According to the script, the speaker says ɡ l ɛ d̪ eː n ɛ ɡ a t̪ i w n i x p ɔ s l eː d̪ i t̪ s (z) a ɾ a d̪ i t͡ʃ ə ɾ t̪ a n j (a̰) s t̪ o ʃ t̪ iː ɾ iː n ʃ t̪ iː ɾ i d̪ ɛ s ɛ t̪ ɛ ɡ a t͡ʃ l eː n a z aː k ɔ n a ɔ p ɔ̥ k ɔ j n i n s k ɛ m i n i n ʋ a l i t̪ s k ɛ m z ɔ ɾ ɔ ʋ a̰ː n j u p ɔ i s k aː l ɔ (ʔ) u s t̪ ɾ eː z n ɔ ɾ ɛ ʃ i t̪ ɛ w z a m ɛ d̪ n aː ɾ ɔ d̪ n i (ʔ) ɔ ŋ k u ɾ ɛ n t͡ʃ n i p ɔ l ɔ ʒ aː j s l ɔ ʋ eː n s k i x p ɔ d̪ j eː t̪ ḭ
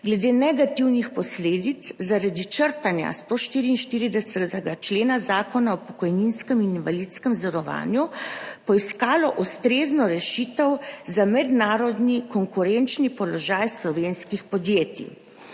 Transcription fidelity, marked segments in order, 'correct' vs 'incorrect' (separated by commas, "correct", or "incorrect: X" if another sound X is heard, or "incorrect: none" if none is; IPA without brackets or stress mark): correct, correct, correct, incorrect: k